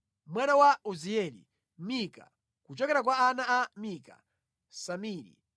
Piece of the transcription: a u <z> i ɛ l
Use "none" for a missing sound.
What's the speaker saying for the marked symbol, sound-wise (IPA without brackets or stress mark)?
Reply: z